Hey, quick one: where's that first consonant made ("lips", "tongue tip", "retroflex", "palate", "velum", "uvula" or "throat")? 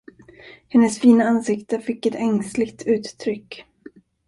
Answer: throat